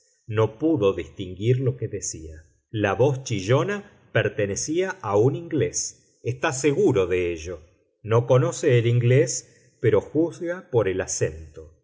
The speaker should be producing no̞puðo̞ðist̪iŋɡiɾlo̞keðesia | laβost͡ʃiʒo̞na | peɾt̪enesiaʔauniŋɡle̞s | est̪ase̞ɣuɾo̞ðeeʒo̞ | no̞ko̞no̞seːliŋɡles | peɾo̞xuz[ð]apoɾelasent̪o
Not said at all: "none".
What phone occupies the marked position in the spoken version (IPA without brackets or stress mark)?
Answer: ɣ